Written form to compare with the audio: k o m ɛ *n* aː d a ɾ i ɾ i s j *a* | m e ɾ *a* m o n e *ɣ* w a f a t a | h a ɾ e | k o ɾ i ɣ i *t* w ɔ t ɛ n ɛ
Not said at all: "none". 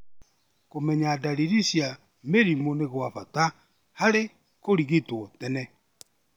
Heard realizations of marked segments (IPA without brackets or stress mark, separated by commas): ɲ, a, i, ɣ, t